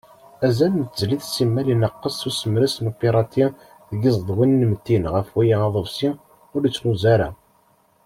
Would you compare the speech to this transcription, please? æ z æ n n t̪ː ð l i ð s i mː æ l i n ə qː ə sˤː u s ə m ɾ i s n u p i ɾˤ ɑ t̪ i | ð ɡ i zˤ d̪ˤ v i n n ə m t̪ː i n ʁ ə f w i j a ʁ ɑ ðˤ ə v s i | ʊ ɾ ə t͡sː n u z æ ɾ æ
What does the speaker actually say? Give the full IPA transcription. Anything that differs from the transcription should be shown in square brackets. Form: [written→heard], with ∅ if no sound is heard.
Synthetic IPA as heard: æ z æ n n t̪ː [ð→z] l i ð s i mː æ l i n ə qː ə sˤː u s ə m ɾ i s n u p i ɾˤ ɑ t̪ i | ð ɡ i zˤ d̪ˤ [v→w] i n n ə m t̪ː i n ʁ ə f w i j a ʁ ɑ ðˤ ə v s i | ʊ ɾ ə t͡sː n u z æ ɾ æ